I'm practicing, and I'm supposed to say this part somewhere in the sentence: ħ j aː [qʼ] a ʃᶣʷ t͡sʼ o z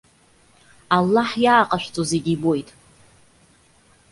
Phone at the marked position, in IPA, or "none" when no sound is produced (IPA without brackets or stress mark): qʼ